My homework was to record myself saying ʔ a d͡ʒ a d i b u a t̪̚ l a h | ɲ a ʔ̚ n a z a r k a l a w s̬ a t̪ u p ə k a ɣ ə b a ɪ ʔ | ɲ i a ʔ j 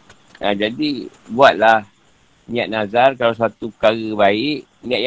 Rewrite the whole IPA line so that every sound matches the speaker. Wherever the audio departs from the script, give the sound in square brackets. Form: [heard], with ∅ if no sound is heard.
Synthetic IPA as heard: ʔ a d͡ʒ a d i b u a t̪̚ l a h | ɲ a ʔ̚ n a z a r k a l a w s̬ a t̪ u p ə k a ɣ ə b a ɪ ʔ | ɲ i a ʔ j